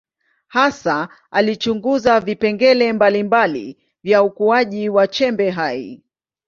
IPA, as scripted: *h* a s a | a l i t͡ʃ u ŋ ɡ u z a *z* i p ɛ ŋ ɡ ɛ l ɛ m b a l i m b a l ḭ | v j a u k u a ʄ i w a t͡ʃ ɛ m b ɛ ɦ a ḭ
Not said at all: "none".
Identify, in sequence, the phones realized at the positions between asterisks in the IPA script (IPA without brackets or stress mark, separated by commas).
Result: h, v